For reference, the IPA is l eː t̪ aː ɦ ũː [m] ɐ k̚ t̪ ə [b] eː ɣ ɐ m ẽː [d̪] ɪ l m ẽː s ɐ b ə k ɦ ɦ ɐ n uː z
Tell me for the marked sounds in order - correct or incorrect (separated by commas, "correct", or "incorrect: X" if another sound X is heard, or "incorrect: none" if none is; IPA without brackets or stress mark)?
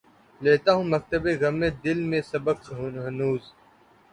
correct, correct, correct